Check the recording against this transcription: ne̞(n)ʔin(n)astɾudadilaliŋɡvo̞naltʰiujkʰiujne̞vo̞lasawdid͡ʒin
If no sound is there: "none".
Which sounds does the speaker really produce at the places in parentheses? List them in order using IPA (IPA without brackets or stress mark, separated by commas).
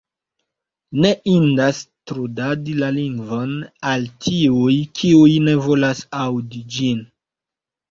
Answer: none, d